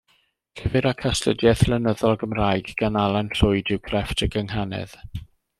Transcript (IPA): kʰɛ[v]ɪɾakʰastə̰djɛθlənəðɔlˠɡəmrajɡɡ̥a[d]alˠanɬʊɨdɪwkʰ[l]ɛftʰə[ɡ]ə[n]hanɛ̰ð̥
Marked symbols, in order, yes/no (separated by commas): yes, no, no, yes, no